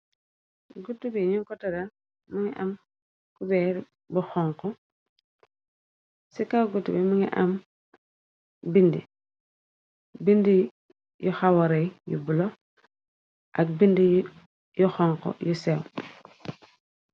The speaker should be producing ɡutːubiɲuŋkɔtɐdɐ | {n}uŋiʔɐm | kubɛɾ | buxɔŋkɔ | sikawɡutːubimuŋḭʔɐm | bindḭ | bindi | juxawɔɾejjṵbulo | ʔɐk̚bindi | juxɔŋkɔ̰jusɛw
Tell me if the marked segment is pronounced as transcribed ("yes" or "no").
no